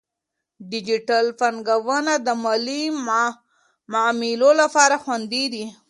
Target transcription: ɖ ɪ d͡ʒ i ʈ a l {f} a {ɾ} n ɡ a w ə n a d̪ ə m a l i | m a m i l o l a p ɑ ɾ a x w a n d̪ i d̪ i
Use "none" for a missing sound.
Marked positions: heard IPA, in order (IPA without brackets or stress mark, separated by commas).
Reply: f, none